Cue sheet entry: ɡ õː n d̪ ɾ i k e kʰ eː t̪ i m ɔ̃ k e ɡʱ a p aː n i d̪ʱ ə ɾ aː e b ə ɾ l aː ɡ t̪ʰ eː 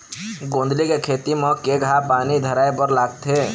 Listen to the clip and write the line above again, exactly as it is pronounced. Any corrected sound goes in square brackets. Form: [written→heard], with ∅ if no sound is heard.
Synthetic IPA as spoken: ɡ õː n d̪ [ɾ→l] i k e kʰ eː t̪ i m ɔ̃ k e ɡʱ a p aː n i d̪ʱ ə ɾ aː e b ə ɾ l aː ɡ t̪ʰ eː